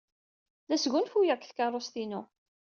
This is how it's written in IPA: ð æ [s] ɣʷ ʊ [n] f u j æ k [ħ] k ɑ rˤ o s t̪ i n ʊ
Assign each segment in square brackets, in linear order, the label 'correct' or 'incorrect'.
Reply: correct, correct, incorrect

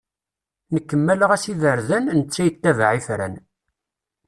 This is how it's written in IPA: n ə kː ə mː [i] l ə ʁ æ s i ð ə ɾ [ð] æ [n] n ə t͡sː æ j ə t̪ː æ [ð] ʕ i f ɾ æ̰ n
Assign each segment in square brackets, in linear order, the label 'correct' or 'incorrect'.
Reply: incorrect, correct, correct, incorrect

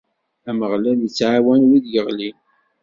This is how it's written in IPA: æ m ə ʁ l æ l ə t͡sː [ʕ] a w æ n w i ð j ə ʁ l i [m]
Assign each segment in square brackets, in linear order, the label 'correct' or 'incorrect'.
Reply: correct, incorrect

